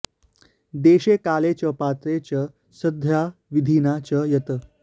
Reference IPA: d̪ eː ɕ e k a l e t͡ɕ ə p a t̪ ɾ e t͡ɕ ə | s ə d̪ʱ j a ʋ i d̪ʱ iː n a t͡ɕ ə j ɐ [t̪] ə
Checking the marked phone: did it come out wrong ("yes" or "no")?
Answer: no